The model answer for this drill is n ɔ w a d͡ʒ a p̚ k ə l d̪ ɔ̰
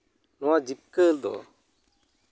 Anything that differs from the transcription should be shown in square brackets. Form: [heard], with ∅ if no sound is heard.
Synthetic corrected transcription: n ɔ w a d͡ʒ [i] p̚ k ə l d̪ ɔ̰

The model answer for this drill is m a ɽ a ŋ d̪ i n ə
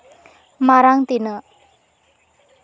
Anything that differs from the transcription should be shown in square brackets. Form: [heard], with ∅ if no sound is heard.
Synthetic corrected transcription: m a [ɾ] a ŋ [t̪] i n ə

